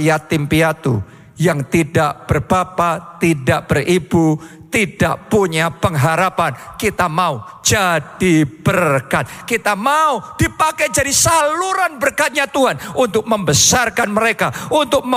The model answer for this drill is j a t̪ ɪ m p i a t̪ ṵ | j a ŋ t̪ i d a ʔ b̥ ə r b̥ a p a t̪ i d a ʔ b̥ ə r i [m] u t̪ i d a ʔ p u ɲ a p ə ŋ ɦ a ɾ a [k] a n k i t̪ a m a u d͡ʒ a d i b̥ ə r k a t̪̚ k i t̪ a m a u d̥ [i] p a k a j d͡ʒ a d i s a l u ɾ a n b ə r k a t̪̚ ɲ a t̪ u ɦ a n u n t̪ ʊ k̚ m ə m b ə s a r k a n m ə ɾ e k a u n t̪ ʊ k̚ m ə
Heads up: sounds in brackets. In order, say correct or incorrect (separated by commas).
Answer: incorrect, incorrect, correct